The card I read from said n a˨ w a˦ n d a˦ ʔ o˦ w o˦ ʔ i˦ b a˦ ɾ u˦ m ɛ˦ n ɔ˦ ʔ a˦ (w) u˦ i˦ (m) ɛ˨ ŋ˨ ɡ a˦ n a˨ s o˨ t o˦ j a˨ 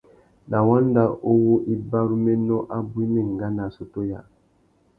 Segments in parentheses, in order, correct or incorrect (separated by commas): incorrect, correct